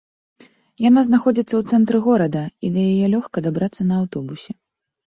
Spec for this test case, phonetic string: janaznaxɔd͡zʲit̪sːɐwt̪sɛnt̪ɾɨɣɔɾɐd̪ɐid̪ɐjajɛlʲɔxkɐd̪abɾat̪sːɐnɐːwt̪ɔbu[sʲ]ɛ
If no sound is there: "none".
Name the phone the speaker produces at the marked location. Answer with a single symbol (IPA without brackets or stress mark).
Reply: sʲ